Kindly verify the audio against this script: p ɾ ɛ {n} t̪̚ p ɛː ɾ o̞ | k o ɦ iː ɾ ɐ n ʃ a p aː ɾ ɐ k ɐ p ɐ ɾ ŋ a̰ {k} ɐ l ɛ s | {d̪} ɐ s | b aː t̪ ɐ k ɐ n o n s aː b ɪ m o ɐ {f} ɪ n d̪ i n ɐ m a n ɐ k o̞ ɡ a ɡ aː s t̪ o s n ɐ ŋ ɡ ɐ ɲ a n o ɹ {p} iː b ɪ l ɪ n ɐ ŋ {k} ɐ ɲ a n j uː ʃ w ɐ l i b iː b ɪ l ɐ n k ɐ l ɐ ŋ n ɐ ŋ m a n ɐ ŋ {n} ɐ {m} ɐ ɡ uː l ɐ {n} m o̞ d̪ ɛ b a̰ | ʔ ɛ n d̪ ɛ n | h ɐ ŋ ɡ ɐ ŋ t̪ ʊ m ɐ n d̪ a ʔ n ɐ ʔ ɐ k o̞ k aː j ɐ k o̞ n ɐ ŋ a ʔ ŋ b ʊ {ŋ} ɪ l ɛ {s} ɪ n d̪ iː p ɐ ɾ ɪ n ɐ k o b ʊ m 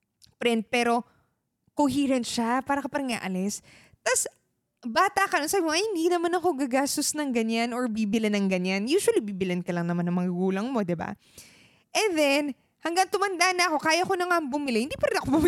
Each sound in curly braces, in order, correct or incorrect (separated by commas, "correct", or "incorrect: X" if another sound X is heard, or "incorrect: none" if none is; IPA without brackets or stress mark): correct, incorrect: ʔ, incorrect: t̪, incorrect: h, incorrect: b, incorrect: ɡ, incorrect: m, incorrect: ŋ, incorrect: ŋ, incorrect: m, incorrect: h